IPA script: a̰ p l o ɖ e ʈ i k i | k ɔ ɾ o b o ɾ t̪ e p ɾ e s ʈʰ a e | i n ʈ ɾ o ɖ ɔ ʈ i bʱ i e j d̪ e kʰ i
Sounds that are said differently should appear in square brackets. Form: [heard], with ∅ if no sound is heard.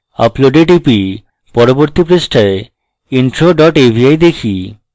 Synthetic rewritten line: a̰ p l o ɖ e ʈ i [p] i | [p] ɔ ɾ o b o ɾ t̪ [i] p ɾ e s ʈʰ a e | i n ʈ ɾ o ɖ ɔ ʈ [e] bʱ i [a] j d̪ e kʰ i